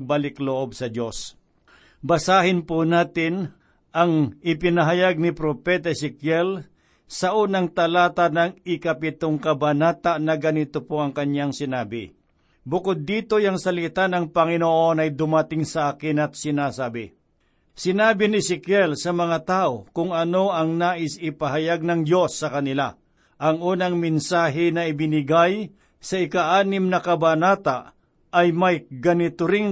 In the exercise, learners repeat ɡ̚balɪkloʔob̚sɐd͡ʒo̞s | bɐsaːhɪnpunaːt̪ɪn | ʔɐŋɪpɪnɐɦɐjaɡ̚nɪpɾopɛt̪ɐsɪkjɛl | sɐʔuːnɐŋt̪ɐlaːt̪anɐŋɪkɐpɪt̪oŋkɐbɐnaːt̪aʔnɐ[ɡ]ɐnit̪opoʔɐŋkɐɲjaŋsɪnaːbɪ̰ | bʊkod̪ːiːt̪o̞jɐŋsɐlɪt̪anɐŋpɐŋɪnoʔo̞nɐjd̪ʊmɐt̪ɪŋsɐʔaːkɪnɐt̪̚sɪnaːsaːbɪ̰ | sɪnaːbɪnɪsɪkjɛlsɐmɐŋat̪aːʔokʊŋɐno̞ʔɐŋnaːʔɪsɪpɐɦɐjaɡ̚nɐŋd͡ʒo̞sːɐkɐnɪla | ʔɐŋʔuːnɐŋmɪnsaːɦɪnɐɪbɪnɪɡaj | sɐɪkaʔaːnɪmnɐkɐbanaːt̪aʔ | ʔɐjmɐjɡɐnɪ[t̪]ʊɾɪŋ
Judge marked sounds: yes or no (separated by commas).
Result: yes, yes